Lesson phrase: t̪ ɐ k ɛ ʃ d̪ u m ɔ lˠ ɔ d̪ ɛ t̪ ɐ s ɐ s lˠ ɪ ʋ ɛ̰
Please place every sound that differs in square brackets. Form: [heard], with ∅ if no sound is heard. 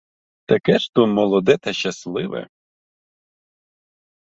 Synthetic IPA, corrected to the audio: t̪ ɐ k ɛ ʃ [t̪] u m ɔ lˠ ɔ d̪ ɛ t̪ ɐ [ʃ] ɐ s lˠ ɪ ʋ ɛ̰